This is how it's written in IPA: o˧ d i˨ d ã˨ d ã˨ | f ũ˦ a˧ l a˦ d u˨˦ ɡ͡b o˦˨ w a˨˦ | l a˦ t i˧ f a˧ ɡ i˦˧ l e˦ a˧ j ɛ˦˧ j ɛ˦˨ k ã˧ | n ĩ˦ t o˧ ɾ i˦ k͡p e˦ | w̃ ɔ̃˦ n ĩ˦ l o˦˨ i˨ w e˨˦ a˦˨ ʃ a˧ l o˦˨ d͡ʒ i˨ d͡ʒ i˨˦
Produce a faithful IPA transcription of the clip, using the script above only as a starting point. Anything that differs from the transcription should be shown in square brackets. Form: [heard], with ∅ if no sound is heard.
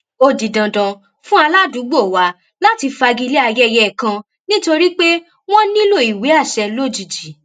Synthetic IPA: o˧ d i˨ d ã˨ d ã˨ | f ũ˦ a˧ l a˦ d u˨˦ ɡ͡b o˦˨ w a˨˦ | l a˦ t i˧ f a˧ ɡ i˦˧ l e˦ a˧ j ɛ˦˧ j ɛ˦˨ k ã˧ | n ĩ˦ t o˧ ɾ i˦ k͡p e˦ | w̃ ɔ̃˦ n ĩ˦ l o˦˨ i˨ w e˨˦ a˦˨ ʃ [ɛ˧] l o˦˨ d͡ʒ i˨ d͡ʒ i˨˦